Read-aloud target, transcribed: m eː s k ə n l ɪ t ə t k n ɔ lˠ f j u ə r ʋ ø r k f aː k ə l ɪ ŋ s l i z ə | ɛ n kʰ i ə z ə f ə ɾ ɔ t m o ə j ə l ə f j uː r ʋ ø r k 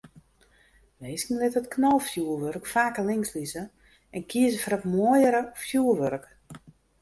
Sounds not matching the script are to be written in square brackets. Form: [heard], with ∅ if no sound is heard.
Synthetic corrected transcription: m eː s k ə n l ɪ t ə t k n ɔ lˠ f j u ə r ʋ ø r k f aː k ə l ɪ ŋ s l i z ə | ɛ n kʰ i ə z ə f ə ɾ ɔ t m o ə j ə [ɾ] ə f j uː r ʋ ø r k